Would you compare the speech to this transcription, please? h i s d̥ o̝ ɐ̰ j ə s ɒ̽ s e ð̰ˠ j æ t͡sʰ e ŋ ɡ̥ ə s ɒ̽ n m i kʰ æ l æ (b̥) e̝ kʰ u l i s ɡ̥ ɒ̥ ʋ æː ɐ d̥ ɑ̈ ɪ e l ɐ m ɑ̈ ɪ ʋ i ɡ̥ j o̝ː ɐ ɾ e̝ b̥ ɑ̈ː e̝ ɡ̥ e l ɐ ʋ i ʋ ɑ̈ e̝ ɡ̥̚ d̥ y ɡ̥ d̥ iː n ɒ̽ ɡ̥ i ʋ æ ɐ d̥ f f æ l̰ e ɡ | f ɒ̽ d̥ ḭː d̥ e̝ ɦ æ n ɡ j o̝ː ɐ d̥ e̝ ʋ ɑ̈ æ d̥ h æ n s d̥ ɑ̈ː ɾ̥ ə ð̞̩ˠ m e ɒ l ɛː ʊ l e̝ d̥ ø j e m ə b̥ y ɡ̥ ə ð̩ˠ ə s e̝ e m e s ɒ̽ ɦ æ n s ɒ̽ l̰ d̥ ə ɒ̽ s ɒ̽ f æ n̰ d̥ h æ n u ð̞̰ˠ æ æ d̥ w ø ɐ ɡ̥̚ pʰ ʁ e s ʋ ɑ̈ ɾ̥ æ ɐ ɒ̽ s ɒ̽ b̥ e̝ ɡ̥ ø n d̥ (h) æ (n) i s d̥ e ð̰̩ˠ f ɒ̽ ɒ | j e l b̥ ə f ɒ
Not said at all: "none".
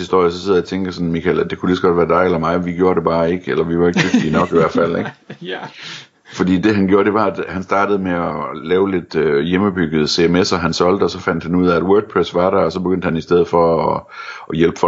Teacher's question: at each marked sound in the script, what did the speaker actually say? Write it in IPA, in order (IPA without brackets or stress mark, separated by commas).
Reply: d̥, h, n